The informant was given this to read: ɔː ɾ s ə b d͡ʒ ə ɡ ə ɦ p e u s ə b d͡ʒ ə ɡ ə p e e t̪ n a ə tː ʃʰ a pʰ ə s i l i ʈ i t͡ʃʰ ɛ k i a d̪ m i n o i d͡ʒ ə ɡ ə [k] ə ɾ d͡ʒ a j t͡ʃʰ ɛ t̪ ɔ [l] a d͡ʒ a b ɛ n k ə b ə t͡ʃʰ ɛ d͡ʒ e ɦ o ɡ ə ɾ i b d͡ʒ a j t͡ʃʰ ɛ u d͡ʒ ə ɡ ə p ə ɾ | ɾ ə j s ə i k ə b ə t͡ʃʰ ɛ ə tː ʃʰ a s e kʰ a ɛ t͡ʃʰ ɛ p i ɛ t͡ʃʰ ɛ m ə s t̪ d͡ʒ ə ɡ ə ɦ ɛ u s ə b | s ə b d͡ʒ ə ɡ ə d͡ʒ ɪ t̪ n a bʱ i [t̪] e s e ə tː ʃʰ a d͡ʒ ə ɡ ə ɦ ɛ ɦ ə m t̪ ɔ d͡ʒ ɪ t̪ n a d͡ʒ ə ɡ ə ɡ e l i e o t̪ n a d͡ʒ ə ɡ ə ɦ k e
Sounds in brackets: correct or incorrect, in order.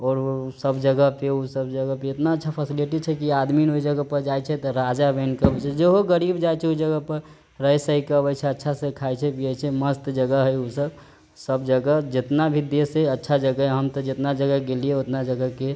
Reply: incorrect, incorrect, incorrect

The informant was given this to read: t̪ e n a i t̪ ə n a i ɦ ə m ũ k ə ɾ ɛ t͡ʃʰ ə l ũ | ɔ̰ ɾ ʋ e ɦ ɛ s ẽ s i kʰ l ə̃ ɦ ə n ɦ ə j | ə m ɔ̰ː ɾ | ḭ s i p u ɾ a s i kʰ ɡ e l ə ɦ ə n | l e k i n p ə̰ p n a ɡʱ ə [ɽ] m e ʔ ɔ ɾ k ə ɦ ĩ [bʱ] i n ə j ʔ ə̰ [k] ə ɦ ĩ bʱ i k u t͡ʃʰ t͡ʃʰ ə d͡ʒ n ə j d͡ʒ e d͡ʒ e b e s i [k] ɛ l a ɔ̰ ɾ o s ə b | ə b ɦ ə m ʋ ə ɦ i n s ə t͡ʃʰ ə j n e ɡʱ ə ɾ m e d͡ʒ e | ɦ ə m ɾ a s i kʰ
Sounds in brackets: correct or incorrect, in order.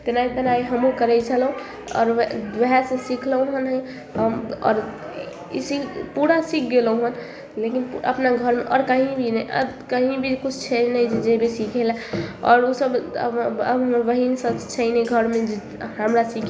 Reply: incorrect, correct, correct, incorrect

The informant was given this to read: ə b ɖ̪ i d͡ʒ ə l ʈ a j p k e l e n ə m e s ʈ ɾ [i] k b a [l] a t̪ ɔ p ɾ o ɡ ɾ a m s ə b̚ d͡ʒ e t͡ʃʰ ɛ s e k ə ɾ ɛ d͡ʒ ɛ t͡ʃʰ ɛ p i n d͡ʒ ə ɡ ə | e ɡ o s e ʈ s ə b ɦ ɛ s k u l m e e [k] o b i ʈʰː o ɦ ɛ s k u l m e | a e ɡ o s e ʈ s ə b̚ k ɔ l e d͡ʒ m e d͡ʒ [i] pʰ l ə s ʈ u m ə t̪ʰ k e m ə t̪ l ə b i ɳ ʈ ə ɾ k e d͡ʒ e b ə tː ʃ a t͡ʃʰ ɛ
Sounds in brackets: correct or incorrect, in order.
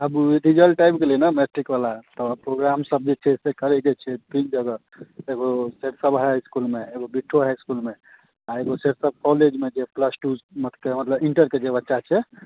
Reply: correct, correct, incorrect, incorrect

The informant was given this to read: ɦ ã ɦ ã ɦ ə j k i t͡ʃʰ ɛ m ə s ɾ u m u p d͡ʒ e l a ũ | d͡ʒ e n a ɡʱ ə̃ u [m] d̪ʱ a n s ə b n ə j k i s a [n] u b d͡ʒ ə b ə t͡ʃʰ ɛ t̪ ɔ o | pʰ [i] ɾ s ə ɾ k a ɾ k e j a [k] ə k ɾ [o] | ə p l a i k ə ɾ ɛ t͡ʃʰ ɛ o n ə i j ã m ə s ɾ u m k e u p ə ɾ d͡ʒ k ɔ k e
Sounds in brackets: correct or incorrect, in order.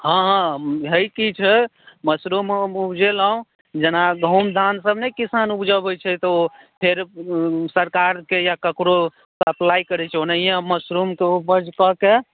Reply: correct, correct, incorrect, correct, correct

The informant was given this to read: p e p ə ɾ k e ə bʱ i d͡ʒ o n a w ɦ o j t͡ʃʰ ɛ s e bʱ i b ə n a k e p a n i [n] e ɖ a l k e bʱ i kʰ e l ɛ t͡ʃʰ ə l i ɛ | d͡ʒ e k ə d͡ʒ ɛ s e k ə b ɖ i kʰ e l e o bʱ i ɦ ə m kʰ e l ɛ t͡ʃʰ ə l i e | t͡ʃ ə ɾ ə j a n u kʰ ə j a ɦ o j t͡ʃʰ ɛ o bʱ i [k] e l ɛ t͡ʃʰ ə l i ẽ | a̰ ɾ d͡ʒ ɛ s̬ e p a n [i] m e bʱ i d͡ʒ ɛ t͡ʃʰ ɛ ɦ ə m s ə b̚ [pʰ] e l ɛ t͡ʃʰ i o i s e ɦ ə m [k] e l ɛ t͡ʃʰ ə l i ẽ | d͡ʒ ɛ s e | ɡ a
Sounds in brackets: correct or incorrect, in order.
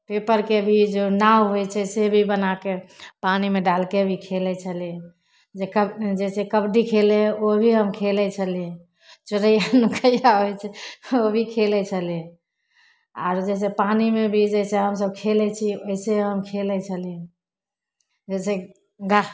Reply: incorrect, incorrect, correct, incorrect, incorrect

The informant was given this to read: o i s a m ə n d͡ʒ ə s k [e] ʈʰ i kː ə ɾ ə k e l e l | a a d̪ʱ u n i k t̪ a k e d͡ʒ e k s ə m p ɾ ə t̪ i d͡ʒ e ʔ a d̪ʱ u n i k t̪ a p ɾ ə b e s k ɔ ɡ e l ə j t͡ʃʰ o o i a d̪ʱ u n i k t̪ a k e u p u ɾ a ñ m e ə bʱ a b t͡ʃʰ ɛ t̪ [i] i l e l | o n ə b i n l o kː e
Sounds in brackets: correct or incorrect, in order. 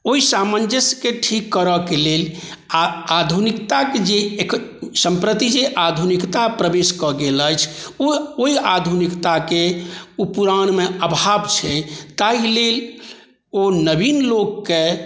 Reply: correct, incorrect

